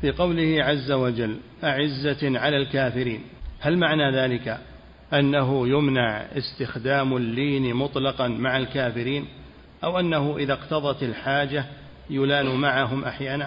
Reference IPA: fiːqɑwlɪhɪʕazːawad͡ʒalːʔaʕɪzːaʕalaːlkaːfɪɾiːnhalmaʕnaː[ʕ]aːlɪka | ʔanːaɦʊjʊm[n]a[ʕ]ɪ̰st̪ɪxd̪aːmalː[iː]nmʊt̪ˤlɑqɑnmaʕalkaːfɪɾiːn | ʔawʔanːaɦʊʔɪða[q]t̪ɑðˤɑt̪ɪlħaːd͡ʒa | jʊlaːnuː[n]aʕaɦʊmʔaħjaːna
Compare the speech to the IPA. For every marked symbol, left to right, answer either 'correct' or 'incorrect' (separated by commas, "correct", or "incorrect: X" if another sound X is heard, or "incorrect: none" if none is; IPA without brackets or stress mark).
incorrect: ð, correct, correct, correct, correct, incorrect: m